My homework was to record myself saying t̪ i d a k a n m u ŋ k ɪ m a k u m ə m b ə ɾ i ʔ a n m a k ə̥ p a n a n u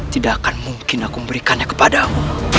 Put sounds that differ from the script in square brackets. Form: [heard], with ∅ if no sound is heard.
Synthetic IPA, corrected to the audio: t̪ i d a k a n m u ŋ k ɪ [n] a k u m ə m b ə ɾ i [k] a n [ɲ] a k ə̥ p a [d] a [m] u